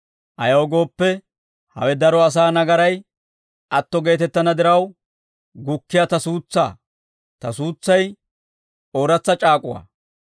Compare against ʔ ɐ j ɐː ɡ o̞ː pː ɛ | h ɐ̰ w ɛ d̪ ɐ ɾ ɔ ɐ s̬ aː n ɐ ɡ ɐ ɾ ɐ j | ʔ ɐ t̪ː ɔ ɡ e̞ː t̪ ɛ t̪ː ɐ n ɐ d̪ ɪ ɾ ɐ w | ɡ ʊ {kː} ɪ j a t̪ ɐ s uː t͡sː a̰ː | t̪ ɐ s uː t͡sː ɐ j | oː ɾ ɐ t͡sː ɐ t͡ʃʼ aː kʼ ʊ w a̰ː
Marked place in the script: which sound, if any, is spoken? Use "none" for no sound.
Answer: kː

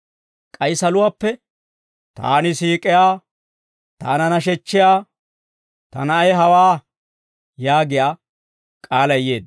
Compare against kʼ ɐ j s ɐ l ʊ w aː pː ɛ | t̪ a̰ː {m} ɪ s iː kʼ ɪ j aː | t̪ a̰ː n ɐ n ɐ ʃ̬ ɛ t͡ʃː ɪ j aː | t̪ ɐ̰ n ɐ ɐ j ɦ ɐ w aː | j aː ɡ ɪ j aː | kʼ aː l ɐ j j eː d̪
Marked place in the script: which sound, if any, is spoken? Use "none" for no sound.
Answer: n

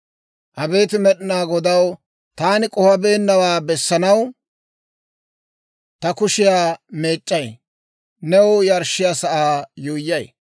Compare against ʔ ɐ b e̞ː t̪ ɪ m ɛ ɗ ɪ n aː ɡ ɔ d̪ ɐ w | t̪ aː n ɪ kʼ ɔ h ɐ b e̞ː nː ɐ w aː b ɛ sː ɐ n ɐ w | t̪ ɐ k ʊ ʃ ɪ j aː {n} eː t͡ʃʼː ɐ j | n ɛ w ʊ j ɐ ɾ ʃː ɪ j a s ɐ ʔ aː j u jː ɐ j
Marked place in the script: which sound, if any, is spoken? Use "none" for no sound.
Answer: m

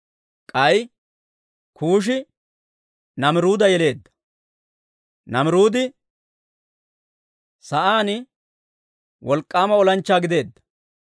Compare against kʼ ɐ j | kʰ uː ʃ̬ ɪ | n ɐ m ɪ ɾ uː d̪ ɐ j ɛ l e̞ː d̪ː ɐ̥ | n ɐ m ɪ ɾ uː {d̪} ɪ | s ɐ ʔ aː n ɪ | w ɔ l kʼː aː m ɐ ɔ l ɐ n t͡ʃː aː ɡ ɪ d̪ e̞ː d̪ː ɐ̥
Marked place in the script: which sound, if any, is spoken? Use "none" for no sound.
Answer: d̪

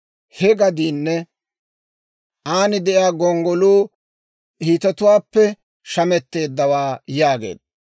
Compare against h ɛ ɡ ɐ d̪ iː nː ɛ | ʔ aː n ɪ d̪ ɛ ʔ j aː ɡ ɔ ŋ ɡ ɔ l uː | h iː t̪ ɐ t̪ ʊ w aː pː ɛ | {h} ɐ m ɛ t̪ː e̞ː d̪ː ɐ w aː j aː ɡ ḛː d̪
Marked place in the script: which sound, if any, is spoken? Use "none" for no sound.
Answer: ʃ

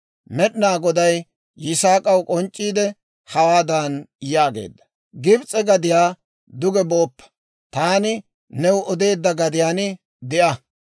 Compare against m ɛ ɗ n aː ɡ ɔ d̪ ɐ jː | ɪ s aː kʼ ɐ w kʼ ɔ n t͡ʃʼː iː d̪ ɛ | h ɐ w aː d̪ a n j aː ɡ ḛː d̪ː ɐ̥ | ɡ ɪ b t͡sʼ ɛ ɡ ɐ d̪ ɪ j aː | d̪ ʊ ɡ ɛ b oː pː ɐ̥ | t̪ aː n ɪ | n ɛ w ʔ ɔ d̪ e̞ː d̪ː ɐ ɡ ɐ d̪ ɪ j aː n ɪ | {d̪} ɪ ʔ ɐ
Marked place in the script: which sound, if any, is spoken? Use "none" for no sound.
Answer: d̪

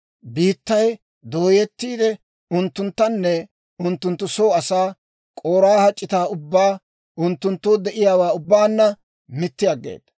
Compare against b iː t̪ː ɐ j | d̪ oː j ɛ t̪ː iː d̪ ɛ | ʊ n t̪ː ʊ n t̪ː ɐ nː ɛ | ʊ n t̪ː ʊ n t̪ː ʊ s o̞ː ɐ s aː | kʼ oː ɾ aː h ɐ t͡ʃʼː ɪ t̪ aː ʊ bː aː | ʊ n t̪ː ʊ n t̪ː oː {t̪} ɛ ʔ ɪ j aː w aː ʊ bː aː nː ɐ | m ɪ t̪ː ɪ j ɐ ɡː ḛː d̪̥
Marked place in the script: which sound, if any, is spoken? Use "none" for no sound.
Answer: d̪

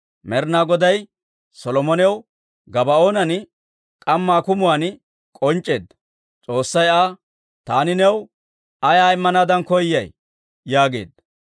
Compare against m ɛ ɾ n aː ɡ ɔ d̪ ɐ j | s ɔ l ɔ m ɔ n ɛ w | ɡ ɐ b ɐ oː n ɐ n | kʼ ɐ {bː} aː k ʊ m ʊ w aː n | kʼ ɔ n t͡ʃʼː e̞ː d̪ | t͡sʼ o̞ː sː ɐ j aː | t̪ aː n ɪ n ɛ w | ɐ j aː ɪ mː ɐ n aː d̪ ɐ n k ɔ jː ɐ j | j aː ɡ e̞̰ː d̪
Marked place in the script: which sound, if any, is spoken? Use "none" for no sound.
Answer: mː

